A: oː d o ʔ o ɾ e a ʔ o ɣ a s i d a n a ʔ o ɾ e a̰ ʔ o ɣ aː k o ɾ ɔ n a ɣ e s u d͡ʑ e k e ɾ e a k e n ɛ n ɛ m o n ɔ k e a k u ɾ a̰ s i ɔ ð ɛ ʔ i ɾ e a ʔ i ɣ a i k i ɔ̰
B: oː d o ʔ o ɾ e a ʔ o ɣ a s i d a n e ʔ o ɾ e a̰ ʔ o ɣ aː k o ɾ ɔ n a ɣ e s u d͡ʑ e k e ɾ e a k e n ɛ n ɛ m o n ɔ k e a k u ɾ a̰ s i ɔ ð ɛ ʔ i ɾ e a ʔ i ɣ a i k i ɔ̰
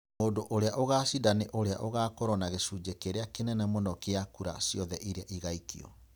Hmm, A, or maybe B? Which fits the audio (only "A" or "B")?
B